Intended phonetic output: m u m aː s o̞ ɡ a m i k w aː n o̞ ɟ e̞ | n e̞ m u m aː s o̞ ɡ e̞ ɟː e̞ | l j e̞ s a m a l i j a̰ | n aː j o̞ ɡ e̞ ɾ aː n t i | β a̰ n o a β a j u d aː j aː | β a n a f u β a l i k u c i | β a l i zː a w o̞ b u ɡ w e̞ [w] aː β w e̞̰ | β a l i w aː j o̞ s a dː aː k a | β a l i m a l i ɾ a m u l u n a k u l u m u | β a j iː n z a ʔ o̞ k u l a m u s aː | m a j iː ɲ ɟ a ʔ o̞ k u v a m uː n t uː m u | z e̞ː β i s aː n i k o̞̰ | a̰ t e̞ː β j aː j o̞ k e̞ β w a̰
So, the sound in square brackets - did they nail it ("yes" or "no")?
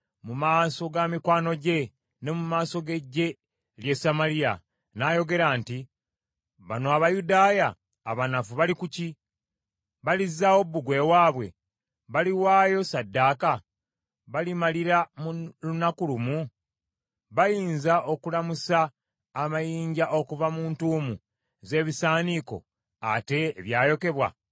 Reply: yes